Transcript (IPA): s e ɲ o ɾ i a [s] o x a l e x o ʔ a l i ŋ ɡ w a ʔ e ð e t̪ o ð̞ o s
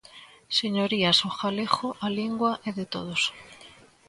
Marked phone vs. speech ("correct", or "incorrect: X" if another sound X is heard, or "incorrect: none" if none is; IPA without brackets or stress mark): correct